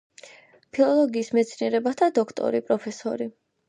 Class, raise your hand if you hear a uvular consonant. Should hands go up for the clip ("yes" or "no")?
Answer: no